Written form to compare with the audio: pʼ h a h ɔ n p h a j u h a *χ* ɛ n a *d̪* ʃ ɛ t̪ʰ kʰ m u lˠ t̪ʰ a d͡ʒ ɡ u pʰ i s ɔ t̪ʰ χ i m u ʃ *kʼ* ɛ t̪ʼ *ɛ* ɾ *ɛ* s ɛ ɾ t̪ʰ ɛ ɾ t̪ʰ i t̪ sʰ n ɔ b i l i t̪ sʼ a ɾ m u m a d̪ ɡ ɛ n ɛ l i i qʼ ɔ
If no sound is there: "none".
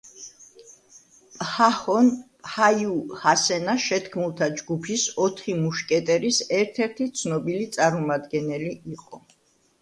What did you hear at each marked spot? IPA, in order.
s, none, kʼ, ɛ, i

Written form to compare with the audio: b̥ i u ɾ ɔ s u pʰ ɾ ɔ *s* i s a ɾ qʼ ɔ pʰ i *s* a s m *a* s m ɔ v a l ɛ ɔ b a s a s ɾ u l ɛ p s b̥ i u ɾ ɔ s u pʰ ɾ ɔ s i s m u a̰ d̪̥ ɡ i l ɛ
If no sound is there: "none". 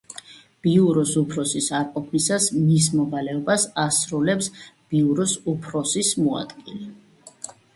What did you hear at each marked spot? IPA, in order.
s, s, i

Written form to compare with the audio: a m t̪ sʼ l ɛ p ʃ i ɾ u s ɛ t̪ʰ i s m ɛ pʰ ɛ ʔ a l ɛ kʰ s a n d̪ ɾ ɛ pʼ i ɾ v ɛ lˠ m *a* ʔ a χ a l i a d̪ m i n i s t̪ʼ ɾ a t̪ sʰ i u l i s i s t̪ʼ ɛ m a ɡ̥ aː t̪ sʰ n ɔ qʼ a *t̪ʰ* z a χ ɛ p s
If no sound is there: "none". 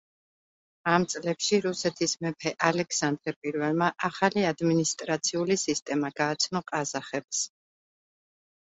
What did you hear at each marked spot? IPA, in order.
a, none

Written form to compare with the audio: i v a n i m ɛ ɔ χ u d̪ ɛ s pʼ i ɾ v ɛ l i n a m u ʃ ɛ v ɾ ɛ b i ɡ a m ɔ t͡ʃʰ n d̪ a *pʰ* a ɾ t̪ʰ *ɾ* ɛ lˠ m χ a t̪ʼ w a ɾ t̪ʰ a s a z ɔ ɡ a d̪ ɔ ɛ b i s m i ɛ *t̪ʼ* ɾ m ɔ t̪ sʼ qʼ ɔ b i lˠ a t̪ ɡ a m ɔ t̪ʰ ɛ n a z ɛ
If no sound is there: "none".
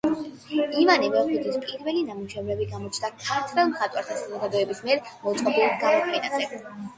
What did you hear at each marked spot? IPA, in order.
kʰ, ɾ, none

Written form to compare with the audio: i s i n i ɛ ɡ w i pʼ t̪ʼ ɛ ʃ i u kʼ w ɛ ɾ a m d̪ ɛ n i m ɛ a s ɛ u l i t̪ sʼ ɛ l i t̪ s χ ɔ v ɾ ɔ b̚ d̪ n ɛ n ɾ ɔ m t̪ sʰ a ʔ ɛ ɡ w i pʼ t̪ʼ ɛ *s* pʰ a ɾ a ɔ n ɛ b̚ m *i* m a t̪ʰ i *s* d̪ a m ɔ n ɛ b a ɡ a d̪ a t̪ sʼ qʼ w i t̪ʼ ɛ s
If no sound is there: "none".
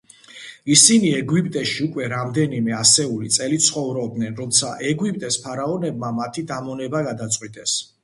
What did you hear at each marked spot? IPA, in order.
s, a, none

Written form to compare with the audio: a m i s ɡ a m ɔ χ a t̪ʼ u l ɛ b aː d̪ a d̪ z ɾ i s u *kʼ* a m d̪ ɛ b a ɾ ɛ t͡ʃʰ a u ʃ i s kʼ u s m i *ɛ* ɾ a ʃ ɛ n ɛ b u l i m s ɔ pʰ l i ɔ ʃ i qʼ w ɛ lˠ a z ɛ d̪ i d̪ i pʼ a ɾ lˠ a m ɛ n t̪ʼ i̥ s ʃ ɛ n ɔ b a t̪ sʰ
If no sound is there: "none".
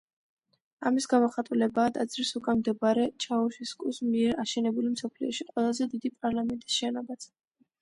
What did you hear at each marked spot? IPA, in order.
kʼ, ɛ

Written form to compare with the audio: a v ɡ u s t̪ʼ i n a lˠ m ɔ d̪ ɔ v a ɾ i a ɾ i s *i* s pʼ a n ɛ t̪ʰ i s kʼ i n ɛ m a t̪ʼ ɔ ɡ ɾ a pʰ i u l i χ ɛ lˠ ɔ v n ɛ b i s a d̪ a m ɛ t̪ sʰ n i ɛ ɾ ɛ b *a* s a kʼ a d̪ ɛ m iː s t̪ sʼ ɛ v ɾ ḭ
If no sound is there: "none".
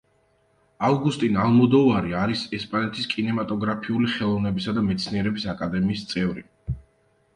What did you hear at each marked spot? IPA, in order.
ɛ, i

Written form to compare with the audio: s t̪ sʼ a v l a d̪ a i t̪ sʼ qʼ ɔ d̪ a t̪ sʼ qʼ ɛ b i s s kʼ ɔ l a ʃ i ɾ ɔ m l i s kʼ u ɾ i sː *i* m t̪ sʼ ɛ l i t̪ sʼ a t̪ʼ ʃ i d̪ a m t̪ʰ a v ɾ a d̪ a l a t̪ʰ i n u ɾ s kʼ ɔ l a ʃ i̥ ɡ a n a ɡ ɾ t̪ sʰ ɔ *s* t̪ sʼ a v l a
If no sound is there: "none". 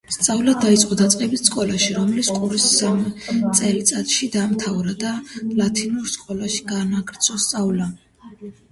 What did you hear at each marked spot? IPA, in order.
a, s

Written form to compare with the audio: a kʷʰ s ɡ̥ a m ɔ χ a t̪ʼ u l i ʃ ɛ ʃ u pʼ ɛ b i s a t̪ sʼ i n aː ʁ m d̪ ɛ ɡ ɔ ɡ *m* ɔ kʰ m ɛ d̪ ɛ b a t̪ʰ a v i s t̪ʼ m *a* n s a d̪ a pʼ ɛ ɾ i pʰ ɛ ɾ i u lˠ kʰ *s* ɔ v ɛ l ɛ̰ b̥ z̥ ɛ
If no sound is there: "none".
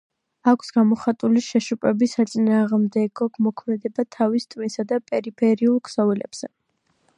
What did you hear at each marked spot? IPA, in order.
m, i, s

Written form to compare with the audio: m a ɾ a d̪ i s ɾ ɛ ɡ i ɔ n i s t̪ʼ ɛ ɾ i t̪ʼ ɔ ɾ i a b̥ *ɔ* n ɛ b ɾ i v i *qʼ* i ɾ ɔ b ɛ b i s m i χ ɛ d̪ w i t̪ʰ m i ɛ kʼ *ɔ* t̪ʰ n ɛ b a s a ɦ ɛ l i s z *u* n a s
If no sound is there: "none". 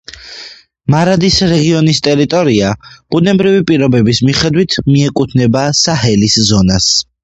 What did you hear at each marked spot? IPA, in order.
u, pʼ, u, ɔ

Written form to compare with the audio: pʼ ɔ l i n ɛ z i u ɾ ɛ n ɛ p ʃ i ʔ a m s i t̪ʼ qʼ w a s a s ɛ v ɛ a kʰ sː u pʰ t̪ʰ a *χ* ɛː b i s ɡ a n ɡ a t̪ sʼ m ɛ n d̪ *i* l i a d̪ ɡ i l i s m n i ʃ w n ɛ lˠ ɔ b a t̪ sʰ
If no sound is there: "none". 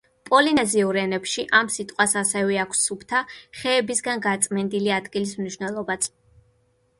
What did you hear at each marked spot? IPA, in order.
χ, i

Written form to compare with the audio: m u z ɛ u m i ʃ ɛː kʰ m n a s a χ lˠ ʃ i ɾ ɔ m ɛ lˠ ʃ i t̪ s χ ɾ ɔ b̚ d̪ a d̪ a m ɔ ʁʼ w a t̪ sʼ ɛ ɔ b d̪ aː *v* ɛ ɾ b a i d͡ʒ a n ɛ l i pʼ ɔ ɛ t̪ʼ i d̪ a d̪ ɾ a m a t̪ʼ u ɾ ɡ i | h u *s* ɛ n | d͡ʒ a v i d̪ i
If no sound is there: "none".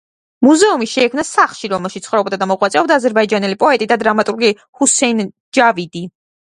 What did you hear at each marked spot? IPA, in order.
z, s

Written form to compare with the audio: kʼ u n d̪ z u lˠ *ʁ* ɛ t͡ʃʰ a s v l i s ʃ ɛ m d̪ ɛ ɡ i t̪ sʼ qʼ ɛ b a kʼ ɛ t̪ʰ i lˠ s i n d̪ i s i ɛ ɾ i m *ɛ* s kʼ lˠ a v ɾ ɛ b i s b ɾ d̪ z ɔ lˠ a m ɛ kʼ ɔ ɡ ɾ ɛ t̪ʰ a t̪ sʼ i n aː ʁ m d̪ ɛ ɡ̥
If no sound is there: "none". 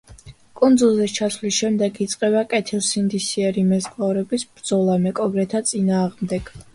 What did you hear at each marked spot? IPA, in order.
z, ɛ

